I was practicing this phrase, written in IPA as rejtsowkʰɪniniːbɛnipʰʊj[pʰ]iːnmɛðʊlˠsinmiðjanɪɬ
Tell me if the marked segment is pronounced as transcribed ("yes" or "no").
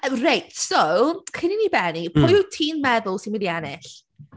no